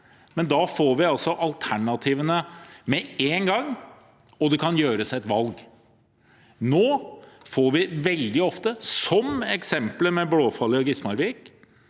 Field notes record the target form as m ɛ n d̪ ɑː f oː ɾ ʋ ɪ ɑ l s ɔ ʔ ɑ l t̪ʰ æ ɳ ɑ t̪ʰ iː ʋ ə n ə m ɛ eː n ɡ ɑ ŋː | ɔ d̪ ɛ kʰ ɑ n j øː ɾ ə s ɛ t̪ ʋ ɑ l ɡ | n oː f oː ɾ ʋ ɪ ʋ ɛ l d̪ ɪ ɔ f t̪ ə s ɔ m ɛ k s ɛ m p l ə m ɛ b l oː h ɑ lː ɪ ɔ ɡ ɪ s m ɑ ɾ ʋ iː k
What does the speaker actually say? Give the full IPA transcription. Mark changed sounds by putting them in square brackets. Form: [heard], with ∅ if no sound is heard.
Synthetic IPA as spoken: m ɛ n d̪ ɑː f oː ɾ ʋ ɪ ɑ l s ɔ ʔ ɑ l t̪ʰ æ ɳ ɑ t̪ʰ iː ʋ ə n ə m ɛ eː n ɡ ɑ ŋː | ɔ d̪ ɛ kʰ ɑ n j øː ɾ ə s ɛ t̪ ʋ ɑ l ɡ | n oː f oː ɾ ʋ ɪ ʋ ɛ l d̪ ɪ ɔ f t̪ ə s ɔ m ɛ k s ɛ m p l ə m ɛ b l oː [f] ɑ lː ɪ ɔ ɡ ɪ s m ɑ ɾ ʋ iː k